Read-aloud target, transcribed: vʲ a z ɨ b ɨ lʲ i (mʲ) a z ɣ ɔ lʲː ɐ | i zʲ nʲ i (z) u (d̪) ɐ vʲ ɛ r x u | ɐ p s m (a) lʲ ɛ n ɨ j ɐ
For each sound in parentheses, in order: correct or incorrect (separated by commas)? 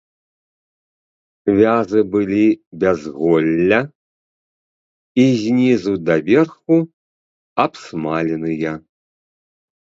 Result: incorrect, correct, correct, correct